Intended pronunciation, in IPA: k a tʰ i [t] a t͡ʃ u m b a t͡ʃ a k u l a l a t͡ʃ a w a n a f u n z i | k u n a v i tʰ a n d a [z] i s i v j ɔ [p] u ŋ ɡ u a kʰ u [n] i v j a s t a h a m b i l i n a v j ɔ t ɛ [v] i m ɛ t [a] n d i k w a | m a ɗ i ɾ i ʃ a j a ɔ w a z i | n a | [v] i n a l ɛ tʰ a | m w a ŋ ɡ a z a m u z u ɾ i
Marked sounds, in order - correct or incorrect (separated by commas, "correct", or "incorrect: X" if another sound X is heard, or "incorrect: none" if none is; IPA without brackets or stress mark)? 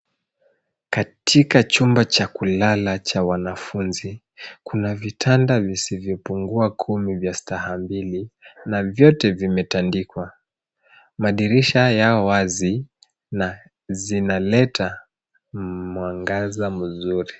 incorrect: k, incorrect: v, correct, incorrect: m, correct, correct, incorrect: z